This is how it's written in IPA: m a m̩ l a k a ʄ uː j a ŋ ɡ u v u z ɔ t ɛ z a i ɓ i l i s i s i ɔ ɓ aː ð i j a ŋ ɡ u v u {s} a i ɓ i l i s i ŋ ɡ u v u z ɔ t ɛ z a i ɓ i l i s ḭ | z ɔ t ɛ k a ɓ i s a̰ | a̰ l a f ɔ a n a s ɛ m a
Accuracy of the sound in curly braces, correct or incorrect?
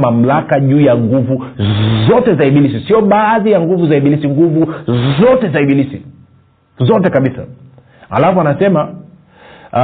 incorrect